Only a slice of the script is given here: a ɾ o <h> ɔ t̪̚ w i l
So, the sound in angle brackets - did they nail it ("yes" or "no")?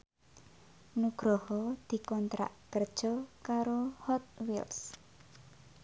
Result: yes